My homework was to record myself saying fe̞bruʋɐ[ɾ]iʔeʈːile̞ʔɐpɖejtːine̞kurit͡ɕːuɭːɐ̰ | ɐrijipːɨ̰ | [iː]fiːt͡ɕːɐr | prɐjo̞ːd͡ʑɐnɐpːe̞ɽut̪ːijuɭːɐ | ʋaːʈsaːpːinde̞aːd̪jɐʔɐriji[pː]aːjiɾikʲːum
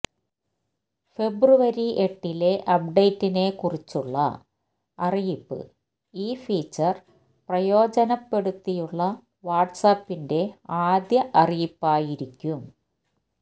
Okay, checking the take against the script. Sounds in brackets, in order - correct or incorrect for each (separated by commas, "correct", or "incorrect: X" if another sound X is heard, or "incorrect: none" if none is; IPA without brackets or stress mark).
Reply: correct, correct, correct